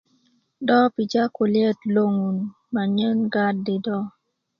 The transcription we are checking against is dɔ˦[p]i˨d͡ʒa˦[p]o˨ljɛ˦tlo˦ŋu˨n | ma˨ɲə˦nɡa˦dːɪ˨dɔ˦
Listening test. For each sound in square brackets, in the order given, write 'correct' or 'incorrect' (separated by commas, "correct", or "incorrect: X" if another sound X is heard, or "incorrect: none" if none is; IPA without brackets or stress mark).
correct, incorrect: k